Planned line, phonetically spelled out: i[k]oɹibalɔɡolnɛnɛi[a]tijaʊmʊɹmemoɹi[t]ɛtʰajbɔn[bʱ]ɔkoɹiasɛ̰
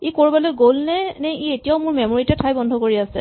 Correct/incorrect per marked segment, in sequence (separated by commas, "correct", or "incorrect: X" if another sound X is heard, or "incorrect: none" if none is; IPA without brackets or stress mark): correct, incorrect: e, correct, incorrect: dʱ